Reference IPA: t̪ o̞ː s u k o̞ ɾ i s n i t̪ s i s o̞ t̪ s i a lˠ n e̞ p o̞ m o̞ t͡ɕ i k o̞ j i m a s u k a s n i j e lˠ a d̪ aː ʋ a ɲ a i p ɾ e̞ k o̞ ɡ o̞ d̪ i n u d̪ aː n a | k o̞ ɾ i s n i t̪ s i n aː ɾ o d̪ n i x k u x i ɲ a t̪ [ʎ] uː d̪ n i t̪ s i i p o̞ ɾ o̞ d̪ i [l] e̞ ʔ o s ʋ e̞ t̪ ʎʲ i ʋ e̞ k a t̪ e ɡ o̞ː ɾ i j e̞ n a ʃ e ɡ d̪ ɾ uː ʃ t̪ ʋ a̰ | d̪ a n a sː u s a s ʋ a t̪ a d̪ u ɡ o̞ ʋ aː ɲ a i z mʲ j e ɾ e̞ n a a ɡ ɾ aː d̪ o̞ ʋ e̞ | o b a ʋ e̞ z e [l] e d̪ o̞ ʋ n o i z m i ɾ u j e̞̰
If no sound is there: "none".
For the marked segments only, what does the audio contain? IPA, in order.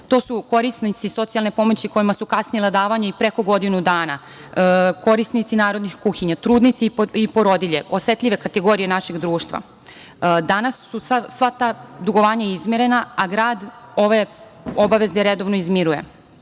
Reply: ɾ, ʎ, ɾ

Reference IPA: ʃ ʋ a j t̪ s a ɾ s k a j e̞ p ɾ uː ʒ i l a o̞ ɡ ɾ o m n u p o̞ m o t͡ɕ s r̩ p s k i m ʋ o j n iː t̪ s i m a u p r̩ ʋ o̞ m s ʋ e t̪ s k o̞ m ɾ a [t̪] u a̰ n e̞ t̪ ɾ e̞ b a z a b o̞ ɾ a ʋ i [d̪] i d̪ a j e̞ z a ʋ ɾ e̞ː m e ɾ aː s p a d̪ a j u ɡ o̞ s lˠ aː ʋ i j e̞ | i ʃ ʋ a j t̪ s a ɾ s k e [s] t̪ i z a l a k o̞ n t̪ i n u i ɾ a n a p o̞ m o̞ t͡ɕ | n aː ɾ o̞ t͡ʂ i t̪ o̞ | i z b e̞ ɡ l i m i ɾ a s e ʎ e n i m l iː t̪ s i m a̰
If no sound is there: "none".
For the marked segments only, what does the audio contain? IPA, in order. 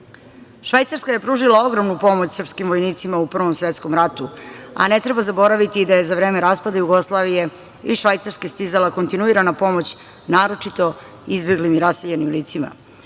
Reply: t̪, t̪, s

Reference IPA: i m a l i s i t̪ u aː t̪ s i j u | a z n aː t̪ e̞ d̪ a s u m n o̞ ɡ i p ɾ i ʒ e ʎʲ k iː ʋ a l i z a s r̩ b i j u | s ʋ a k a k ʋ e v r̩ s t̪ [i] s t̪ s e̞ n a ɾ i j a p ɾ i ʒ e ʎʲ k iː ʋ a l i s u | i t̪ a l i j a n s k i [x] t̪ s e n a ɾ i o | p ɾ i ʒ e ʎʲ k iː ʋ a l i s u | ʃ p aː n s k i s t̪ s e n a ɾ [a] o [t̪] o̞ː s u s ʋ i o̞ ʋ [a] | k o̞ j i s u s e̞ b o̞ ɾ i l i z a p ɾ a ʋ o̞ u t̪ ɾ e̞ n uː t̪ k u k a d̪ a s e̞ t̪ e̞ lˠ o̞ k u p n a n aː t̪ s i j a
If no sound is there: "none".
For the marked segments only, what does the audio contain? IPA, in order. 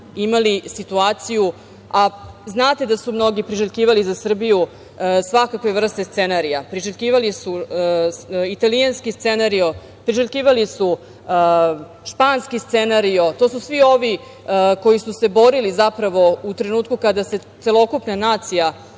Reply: e, s, i, t̪, i

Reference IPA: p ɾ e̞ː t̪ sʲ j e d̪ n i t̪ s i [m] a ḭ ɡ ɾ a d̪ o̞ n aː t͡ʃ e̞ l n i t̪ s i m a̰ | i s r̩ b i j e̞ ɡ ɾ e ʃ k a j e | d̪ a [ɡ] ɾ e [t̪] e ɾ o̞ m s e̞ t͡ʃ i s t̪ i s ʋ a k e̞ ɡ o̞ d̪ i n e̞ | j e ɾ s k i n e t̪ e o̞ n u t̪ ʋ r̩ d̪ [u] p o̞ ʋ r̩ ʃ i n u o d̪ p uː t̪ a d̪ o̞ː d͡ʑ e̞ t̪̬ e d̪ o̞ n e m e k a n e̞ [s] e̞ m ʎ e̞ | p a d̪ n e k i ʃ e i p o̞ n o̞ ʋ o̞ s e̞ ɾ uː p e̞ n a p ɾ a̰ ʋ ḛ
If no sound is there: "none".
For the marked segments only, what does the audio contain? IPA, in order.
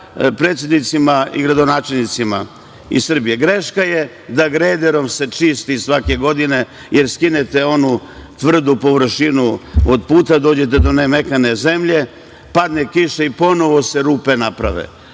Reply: m, ɡ, d̪, u, z

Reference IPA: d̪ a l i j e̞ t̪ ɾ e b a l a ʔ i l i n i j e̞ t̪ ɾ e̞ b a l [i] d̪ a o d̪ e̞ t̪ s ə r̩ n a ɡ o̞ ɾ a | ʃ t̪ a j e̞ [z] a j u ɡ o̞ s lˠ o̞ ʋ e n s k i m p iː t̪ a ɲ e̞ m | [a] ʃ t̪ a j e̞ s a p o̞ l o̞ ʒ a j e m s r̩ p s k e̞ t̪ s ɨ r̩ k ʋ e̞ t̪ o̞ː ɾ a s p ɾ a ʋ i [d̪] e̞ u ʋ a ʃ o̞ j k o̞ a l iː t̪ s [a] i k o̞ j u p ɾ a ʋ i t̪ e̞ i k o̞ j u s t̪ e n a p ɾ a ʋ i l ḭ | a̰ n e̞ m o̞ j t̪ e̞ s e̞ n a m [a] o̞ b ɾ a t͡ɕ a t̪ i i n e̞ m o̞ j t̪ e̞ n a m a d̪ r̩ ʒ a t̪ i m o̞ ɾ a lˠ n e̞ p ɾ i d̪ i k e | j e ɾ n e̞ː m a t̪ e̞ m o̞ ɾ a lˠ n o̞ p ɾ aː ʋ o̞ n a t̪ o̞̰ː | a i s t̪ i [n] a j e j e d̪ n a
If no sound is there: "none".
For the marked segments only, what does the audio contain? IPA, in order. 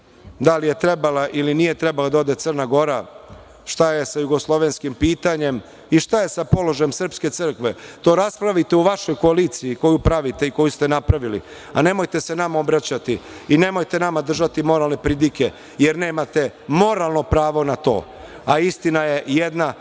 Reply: a, s, i, t̪, i, a, n

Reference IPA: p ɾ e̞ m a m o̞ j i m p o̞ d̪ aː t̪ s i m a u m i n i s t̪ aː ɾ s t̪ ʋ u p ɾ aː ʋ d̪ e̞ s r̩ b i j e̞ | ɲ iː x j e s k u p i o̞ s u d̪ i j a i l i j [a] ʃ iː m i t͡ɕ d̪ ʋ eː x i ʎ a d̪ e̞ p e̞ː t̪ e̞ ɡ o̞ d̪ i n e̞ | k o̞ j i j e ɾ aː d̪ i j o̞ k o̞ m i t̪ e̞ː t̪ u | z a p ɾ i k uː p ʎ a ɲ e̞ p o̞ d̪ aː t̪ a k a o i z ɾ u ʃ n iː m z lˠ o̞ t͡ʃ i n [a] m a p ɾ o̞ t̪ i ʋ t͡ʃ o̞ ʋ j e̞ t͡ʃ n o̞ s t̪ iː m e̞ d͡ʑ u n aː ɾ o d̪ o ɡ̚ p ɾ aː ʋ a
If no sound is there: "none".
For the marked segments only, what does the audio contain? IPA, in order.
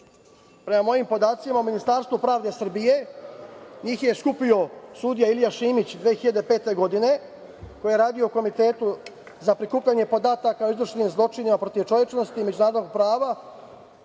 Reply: a, i

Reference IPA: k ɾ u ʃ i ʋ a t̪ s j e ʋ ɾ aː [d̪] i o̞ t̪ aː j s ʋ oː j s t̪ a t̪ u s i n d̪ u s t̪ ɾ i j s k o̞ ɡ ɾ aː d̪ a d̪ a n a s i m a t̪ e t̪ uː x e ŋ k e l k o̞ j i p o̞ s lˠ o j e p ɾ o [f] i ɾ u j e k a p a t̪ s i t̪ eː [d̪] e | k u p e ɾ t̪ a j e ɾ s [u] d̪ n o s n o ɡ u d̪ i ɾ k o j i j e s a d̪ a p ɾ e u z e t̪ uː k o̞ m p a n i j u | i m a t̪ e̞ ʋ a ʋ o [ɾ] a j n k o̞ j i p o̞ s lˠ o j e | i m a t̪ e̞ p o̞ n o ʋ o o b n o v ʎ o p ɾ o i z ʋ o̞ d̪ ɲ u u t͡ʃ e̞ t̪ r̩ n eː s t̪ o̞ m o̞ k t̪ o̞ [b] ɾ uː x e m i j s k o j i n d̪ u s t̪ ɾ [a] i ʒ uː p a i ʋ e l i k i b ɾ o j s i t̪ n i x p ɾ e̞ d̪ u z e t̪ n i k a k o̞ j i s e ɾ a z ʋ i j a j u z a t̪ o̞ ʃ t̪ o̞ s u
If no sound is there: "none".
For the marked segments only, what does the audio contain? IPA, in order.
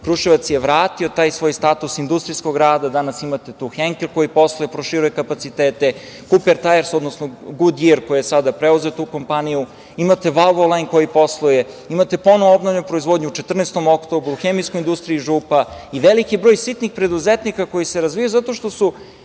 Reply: t̪, ʃ, t̪, o, l, b, i

